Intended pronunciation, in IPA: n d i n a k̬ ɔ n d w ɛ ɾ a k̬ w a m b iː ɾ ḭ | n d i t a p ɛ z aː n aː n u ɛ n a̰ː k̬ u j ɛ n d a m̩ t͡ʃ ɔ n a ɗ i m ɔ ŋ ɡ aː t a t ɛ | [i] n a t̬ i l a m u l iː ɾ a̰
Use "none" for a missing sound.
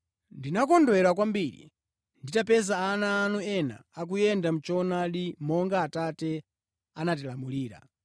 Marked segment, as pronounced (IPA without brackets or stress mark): a